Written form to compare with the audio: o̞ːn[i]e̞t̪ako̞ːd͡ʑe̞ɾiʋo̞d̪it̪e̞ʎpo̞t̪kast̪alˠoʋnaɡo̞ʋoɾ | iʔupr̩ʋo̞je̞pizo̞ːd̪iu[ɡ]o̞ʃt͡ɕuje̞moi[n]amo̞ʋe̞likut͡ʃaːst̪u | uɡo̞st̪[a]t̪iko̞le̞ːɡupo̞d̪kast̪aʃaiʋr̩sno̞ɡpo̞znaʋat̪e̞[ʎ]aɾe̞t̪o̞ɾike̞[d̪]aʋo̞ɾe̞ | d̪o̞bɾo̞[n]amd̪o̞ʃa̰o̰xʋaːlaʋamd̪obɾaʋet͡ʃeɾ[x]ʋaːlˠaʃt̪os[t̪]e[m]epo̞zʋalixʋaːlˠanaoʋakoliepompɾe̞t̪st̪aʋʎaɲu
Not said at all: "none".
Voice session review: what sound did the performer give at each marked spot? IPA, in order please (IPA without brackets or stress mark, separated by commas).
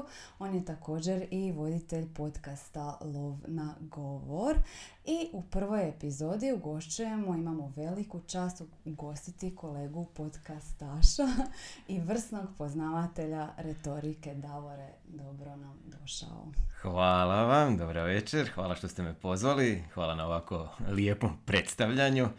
j, ɡ, m, i, ʎ, d̪, n, x, t̪, m